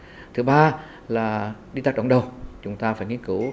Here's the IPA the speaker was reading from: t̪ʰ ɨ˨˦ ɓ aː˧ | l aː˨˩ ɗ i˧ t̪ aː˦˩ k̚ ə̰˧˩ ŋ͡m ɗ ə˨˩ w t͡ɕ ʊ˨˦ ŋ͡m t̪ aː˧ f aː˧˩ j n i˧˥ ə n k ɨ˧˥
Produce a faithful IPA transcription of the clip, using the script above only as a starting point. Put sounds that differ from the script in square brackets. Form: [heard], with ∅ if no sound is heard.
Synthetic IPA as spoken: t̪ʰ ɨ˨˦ ɓ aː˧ | l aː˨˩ ɗ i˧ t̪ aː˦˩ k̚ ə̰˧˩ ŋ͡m ɗ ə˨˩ w t͡ɕ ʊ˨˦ ŋ͡m t̪ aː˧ f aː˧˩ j [ŋ] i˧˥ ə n k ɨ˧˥